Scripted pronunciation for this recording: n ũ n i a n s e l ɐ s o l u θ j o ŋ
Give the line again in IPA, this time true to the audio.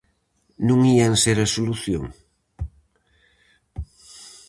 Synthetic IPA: n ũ ŋ i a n s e ɾ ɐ s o l u θ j o ŋ